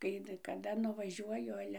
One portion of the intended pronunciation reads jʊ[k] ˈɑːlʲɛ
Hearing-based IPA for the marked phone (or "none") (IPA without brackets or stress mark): none